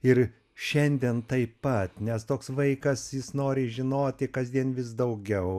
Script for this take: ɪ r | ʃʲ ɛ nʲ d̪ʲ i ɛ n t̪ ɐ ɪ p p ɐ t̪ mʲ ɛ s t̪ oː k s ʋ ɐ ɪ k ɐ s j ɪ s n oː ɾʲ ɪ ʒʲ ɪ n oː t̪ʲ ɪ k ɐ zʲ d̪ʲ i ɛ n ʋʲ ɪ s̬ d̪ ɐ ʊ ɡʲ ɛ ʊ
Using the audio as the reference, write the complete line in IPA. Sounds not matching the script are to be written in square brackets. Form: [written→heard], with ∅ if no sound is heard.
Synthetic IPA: ɪ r | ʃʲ ɛ nʲ d̪ʲ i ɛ n t̪ ɐ ɪ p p ɐ t̪ [mʲ→nʲ] ɛ s t̪ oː k s ʋ ɐ ɪ k ɐ s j ɪ s n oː ɾʲ ɪ ʒʲ ɪ n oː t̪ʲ ɪ k ɐ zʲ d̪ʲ i ɛ n ʋʲ ɪ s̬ d̪ ɐ ʊ ɡʲ ɛ ʊ